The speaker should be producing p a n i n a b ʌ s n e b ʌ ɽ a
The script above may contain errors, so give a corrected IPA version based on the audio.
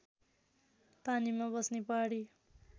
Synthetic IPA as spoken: p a n i m a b ʌ s n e p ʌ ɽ i